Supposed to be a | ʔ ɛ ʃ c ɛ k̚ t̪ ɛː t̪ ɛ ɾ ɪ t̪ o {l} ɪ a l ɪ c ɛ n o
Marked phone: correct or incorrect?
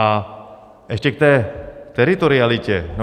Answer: incorrect